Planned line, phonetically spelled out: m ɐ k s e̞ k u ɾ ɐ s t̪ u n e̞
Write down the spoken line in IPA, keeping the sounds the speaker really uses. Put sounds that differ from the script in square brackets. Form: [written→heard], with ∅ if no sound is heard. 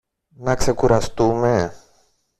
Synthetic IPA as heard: [m→n] ɐ k s e̞ k u ɾ ɐ s t̪ u [n→m] e̞